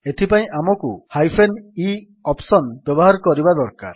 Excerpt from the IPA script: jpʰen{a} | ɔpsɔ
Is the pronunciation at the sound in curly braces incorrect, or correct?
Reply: incorrect